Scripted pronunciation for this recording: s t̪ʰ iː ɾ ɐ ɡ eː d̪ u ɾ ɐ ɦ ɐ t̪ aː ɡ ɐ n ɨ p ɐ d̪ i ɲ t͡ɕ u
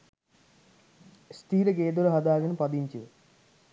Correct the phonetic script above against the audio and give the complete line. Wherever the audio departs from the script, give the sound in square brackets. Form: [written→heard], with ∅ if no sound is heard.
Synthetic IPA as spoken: s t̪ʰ iː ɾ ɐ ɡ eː d̪ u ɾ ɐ ɦ ɐ [t̪→d̪] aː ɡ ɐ n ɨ p ɐ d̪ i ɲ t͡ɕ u